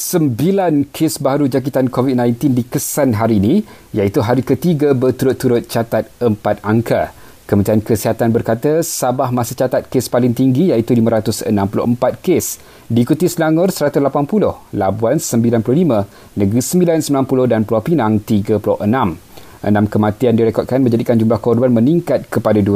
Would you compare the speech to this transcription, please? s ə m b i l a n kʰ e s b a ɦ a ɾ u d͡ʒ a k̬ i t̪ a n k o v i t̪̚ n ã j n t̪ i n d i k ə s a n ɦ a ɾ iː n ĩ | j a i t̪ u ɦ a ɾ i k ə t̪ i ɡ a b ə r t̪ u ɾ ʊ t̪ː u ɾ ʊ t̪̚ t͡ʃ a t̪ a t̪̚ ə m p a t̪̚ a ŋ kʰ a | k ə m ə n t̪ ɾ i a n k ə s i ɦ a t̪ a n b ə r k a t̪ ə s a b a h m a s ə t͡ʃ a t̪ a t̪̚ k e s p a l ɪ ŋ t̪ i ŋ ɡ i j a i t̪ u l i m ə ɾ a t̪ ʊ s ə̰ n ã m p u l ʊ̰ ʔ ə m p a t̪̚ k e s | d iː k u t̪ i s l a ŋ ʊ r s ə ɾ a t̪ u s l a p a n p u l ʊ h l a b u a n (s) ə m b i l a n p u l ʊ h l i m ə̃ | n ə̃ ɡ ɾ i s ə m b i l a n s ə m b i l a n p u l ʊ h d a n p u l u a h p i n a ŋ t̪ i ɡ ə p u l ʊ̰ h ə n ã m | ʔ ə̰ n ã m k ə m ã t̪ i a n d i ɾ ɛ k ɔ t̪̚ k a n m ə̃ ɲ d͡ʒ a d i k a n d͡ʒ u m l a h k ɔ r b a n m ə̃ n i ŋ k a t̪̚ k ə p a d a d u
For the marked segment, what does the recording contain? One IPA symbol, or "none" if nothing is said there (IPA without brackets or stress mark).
s